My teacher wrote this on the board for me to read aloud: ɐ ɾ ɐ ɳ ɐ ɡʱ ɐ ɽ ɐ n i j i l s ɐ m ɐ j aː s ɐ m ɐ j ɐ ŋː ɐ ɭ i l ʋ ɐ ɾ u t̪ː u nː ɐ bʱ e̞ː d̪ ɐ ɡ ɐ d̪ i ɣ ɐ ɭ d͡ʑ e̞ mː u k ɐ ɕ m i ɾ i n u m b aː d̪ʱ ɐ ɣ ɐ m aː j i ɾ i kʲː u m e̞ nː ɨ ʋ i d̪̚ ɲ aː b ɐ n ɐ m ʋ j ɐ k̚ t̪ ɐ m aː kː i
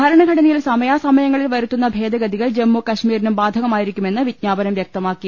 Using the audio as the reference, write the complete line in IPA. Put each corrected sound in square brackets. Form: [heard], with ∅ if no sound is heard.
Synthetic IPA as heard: ɐ ɾ ɐ ɳ ɐ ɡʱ ɐ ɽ ɐ n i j i l s ɐ m ɐ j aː s ɐ m ɐ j ɐ ŋː ɐ ɭ i l ʋ ɐ ɾ u t̪ː u nː ɐ bʱ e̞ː d̪ ɐ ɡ ɐ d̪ i ɣ ɐ ɭ d͡ʑ e̞ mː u k ɐ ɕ m [iː] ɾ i n u m b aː d̪ʱ ɐ ɣ ɐ m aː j i ɾ i kʲː u m e̞ nː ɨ ʋ i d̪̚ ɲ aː b ɐ n ɐ m ʋ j ɐ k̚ t̪ ɐ m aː kː i